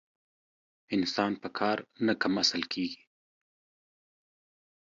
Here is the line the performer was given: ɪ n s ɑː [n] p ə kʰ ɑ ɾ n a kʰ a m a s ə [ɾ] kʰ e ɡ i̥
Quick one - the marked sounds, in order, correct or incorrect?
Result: correct, incorrect: l

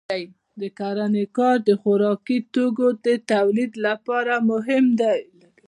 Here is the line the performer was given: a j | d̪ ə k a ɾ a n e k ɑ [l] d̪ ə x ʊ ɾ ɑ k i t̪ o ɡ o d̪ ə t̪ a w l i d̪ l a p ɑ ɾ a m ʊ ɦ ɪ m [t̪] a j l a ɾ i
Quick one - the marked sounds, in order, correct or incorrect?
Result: incorrect: ɾ, incorrect: d̪

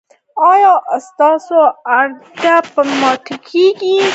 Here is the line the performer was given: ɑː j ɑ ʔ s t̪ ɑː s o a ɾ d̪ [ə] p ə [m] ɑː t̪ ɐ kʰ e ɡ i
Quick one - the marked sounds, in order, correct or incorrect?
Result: incorrect: a, correct

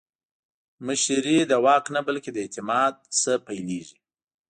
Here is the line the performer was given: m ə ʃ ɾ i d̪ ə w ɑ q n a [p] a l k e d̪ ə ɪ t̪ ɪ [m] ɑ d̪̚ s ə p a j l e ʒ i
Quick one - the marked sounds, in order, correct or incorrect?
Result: incorrect: b, correct

